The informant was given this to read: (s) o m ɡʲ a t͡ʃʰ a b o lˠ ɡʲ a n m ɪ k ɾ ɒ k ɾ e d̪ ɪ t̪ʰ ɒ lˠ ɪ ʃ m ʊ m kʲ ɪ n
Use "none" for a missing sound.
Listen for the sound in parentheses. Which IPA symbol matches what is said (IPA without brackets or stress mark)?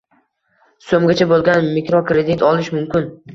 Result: s